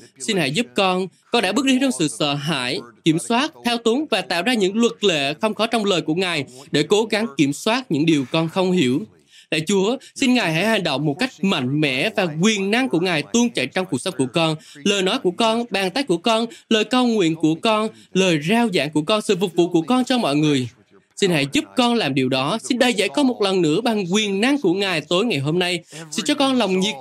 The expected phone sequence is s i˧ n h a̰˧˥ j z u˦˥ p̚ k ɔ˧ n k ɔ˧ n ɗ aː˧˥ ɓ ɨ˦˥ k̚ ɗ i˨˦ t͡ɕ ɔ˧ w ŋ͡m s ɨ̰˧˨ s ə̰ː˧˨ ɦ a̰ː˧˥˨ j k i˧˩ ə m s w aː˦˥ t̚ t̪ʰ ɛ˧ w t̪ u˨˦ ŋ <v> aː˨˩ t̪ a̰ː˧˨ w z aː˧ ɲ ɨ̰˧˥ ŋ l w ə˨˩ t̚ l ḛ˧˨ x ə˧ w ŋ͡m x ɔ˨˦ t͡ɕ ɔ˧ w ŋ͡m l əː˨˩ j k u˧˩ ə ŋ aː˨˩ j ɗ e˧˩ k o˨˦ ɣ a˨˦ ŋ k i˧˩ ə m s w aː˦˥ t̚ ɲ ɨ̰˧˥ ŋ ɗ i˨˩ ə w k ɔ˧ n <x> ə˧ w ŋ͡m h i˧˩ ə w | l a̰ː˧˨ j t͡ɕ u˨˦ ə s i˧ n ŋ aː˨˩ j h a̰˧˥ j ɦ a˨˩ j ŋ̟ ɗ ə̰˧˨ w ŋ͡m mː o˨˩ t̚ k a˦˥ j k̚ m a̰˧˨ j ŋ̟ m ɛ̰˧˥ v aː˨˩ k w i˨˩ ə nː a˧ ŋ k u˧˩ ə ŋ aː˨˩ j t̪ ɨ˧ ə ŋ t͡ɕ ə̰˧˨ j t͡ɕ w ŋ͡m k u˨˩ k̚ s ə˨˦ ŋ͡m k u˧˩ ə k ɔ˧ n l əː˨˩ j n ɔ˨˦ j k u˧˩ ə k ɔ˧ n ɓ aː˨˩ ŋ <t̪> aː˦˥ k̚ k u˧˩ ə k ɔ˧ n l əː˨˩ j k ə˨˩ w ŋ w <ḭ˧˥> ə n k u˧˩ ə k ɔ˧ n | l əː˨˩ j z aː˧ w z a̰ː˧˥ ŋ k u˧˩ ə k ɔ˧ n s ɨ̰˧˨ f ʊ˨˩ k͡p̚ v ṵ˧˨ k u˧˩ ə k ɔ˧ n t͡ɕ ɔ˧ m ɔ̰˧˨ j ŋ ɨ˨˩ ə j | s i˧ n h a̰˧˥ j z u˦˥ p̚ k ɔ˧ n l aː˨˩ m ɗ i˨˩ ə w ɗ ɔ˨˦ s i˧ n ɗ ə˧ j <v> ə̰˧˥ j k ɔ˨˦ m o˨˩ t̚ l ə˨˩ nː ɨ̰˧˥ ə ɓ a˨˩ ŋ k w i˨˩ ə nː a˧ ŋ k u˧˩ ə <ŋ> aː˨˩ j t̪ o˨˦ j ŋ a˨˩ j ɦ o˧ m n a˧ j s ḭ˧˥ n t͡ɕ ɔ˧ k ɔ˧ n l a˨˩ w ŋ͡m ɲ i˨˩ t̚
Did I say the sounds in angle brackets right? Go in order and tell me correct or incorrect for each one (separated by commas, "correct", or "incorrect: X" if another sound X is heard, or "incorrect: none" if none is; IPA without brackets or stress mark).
correct, correct, correct, incorrect: ḭ˧˨, incorrect: z, correct